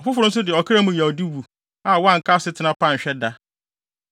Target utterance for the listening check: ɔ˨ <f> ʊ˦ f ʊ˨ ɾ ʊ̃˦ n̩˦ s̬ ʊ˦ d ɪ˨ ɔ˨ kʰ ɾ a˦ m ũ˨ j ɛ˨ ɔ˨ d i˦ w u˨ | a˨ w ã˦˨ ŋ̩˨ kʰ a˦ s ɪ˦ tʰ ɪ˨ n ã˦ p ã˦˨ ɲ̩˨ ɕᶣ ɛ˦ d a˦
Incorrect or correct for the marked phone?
correct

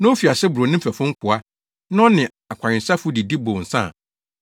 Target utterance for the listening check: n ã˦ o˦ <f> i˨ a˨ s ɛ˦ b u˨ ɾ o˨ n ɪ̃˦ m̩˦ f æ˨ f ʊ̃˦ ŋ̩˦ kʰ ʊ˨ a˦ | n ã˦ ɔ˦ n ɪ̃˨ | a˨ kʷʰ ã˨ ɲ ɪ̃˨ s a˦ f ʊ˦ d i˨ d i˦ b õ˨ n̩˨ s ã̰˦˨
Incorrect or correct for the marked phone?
correct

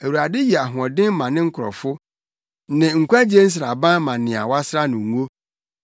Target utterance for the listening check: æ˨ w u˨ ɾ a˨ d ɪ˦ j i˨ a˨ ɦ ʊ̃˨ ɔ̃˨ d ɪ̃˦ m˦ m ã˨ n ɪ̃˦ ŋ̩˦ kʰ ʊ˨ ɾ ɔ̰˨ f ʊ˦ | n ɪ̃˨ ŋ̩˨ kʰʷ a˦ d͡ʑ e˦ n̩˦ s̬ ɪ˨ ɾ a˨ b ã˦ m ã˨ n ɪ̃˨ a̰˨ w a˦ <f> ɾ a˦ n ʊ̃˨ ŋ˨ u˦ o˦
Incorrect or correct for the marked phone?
incorrect: s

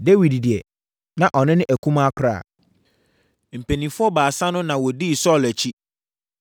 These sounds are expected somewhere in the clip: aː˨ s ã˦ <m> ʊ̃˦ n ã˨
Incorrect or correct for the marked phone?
incorrect: n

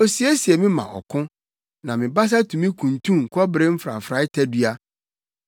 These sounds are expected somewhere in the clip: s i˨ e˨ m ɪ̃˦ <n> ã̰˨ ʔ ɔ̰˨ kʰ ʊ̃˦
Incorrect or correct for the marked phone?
incorrect: m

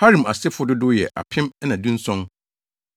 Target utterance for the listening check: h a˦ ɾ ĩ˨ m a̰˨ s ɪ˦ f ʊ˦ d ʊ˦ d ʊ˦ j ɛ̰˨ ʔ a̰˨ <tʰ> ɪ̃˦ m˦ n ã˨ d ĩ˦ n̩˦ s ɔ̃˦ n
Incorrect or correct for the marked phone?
incorrect: pʰ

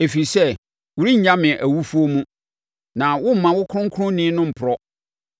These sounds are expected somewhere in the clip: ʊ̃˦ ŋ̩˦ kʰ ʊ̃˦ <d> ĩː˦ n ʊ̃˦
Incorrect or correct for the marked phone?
incorrect: n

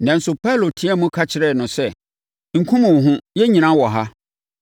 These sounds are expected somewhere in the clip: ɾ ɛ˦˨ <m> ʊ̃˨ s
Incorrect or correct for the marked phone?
incorrect: n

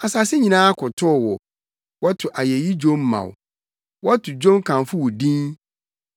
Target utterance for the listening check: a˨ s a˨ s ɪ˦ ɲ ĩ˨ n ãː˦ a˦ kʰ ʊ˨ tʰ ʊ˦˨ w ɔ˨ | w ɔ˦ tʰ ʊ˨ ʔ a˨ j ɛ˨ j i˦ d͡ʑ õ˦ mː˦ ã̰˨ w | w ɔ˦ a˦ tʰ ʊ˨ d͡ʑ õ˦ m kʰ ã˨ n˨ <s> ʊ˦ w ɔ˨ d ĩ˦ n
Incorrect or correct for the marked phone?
incorrect: f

